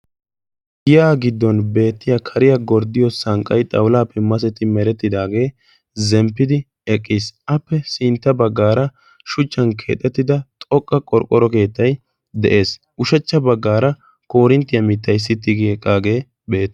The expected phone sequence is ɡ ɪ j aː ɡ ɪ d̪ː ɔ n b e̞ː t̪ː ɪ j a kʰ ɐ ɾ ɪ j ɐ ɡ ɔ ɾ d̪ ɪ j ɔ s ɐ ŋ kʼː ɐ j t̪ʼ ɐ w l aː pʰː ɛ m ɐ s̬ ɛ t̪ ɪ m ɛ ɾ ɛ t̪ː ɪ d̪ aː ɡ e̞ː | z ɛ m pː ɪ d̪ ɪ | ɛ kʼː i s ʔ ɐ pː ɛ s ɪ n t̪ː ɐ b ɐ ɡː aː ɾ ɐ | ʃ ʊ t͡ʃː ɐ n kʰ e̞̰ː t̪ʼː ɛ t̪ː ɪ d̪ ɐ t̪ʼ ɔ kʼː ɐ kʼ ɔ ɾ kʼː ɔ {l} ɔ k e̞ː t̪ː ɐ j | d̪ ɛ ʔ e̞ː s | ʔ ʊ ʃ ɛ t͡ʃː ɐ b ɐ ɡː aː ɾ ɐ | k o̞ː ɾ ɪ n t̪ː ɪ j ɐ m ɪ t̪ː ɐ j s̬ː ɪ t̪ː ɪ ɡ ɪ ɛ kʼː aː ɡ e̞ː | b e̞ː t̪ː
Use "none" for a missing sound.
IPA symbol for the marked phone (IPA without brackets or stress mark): ɾ